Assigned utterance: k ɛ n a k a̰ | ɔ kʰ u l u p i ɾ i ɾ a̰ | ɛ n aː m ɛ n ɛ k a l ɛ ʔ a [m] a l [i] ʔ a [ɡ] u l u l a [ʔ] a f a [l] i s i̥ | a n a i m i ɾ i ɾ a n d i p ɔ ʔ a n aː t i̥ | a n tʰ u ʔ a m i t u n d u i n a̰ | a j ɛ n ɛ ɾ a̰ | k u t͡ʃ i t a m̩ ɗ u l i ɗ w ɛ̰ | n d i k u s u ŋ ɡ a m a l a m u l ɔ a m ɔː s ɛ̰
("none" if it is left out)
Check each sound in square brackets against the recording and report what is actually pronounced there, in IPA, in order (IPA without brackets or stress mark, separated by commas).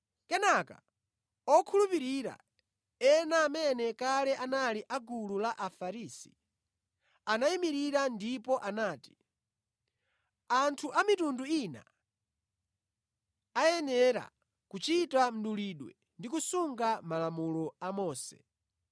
n, i, ɡ, ʔ, ɾ